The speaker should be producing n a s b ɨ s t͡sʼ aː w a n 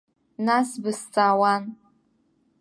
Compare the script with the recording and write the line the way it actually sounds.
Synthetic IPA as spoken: n a s b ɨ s t͡sʼ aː w a n